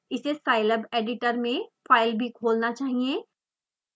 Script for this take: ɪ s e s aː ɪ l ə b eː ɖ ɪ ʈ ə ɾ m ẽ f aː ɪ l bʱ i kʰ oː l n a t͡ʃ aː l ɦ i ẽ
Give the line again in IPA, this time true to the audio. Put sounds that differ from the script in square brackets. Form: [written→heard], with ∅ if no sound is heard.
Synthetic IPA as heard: ɪ s e s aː ɪ l ə b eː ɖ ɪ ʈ ə ɾ m ẽ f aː ɪ l bʱ i kʰ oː l n a t͡ʃ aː [l→∅] ɦ i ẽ